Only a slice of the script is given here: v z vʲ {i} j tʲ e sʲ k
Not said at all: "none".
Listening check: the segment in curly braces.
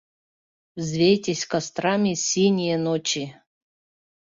e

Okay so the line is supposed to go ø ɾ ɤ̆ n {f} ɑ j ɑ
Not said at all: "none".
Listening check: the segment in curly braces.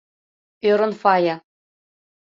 f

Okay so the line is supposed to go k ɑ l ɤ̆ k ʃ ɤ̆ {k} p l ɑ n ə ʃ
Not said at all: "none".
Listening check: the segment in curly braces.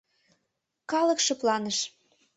none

